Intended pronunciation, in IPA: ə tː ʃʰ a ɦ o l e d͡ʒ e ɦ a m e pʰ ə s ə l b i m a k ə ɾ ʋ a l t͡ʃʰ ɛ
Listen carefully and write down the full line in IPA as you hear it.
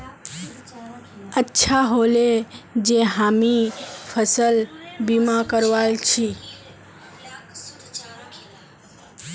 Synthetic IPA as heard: ə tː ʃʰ a ɦ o l e d͡ʒ e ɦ a m i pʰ ə s ə l b i m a k ə ɾ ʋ a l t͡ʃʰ i